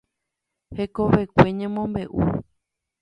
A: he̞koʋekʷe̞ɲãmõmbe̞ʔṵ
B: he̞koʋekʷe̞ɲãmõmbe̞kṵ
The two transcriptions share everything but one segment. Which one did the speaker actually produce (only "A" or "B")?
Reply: A